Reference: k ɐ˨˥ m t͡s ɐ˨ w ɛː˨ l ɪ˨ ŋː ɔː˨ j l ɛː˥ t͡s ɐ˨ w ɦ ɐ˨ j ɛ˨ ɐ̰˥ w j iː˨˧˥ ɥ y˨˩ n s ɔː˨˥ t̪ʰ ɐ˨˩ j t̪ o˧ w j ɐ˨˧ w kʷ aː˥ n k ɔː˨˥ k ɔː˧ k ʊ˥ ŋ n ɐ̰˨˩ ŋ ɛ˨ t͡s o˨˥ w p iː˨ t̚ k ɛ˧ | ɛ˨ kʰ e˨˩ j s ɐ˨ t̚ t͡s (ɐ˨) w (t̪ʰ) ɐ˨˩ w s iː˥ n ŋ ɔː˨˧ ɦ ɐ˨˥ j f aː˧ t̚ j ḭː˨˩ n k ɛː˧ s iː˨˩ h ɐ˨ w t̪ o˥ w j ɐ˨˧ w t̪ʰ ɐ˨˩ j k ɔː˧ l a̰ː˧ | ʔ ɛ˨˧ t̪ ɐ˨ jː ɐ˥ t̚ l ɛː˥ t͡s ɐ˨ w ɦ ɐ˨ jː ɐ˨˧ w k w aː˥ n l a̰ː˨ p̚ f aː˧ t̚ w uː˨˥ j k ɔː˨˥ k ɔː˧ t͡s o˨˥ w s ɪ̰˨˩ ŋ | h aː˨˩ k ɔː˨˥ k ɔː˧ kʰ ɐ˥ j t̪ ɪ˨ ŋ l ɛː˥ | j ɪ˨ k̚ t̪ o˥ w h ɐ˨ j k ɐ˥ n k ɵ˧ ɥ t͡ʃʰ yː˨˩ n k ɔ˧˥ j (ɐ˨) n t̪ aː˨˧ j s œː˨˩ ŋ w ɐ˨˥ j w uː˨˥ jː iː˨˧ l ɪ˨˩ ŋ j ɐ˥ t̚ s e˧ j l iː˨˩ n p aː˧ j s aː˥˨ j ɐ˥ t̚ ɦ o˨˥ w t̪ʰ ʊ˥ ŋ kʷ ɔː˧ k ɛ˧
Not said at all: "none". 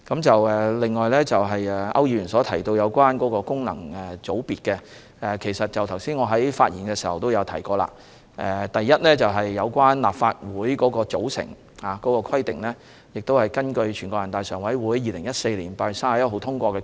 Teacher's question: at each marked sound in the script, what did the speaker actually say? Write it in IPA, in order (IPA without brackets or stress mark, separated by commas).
ɐ˨, t̪ʰ, ɐ˨